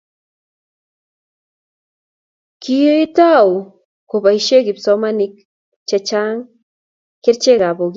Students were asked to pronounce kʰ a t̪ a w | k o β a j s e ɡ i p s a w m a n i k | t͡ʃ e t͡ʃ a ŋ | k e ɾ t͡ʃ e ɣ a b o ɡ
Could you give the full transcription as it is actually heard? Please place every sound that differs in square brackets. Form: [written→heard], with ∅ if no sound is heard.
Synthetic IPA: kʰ [a→i] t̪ a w | k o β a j [s→ʃ] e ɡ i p s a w m a n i k | t͡ʃ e t͡ʃ a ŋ | k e ɾ t͡ʃ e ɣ a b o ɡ